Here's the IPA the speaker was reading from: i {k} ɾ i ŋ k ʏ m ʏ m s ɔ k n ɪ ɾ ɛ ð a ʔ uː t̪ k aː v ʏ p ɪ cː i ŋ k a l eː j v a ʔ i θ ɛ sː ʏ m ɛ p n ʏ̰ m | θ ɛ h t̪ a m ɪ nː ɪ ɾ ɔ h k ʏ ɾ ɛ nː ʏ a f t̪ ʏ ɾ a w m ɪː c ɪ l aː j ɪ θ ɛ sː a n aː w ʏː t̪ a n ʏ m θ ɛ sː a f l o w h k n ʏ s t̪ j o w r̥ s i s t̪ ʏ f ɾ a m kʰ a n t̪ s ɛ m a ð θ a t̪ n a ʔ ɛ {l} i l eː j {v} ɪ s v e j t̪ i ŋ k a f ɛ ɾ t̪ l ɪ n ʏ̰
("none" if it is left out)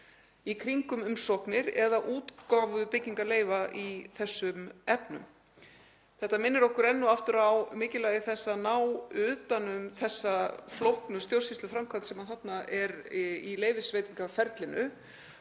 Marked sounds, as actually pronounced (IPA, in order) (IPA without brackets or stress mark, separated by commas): kʰ, ɾ, v